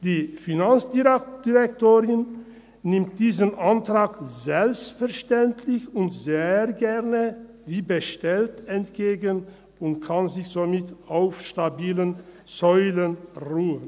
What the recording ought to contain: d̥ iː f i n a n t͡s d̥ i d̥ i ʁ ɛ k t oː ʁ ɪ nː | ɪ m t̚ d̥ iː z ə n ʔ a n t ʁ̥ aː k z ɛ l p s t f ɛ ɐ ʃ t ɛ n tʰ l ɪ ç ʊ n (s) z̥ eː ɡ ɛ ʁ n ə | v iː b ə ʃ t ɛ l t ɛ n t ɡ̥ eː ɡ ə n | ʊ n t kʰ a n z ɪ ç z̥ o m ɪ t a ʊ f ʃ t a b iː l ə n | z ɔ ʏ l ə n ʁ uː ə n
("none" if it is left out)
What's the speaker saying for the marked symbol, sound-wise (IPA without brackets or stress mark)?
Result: t